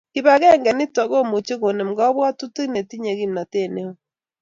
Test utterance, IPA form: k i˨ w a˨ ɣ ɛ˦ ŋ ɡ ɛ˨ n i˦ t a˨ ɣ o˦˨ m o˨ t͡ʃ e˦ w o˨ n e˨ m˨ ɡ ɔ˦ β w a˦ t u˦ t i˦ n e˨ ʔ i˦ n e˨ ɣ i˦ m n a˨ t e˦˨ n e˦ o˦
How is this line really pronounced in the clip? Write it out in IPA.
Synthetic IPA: k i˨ β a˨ ɣ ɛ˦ ŋ ɡ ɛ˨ n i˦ t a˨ ɣ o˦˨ m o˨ t͡ʃ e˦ ɣ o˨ n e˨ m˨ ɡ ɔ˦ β w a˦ t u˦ t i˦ n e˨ t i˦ ɲ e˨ ɣ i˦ m n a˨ t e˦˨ n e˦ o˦